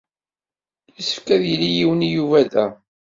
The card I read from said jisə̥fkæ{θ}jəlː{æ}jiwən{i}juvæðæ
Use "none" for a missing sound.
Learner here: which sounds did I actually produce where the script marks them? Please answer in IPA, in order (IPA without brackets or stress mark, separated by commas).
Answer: ð, i, i